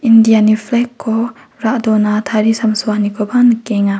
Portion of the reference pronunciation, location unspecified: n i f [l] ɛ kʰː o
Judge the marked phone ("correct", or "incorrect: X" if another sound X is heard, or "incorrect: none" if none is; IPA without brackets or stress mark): correct